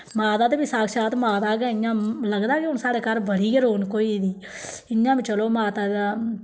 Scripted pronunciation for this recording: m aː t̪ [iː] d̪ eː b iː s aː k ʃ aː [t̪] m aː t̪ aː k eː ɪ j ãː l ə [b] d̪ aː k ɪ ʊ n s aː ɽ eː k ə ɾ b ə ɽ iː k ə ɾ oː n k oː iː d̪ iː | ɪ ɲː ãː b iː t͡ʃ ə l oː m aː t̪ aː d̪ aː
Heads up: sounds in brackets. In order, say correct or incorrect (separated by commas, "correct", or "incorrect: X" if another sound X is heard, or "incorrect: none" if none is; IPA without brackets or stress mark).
incorrect: aː, correct, incorrect: ɡ